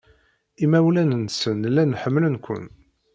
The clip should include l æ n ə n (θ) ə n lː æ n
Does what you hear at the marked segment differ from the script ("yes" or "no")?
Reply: yes